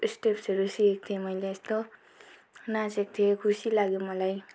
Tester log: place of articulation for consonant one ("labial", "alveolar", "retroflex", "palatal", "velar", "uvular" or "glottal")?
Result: alveolar